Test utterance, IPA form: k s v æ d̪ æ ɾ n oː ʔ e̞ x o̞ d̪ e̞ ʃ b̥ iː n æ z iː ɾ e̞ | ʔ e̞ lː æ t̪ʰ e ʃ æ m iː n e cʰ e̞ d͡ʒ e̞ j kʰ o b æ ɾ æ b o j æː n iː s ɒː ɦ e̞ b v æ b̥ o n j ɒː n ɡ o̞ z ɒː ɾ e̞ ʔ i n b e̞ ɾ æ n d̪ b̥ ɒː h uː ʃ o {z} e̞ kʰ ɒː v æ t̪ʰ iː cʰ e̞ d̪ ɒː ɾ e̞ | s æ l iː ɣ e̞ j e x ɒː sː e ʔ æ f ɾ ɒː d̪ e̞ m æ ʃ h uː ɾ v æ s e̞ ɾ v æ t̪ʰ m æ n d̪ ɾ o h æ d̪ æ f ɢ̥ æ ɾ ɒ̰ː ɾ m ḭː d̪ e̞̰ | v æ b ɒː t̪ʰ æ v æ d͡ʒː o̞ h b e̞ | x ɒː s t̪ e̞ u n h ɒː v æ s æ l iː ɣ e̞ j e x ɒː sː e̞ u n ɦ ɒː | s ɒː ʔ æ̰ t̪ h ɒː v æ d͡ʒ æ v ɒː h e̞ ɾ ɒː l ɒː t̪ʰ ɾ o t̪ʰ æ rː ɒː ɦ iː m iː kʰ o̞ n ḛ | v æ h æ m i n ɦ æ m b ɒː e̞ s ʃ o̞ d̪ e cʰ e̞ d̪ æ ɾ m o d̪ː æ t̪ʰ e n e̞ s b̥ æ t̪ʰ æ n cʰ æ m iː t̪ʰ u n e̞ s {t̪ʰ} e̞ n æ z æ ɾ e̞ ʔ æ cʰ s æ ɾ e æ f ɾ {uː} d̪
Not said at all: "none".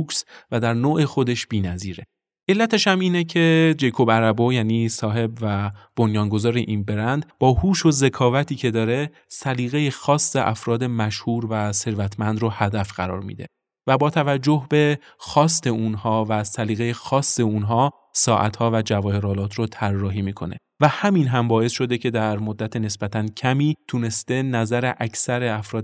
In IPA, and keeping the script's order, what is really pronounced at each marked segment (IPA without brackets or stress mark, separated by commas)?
z, t̪, ɒː